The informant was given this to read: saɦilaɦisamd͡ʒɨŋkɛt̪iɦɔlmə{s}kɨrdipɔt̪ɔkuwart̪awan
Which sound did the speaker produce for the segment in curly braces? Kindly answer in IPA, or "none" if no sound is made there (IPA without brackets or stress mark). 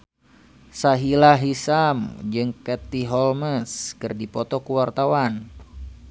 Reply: s